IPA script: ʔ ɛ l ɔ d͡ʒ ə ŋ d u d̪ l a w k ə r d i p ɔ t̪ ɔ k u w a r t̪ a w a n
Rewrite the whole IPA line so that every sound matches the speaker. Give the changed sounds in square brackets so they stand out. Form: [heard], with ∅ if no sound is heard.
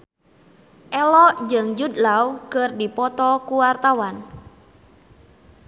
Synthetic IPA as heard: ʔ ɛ l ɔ d͡ʒ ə ŋ [d͡ʒ] u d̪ l a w k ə r d i p ɔ t̪ ɔ k u w a r t̪ a w a n